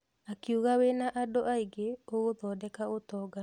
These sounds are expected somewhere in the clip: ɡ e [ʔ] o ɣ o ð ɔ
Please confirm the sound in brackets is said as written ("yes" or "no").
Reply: no